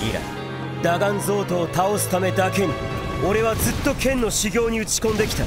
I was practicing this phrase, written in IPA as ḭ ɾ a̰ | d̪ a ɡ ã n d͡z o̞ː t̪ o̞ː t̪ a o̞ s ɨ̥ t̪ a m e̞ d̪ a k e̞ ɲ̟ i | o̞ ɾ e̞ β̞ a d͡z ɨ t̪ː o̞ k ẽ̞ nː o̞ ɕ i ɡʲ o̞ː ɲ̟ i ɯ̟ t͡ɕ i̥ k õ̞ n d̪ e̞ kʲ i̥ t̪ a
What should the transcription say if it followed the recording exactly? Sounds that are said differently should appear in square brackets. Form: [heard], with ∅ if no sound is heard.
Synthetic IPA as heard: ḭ ɾ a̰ | d̪ a ɡ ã n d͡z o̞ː t̪ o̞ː t̪ a o̞ s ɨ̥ t̪ a m e̞ d̪ a k e̞ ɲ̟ i | o̞ ɾ e̞ β̞ a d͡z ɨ t̪ː o̞ k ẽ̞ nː o̞ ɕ i ɡʲ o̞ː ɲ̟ i ɯ̟ t͡ɕ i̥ k õ̞ n d̪ e̞ kʲ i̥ t̪ a